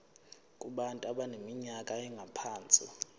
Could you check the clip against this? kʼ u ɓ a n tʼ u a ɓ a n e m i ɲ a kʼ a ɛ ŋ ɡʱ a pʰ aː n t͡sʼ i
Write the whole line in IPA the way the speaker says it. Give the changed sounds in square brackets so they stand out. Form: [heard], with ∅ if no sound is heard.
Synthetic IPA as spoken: kʼ u ɓ a n tʼ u a ɓ a n e m i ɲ a kʼ a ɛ ŋ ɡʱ a pʰ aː n t͡sʼ i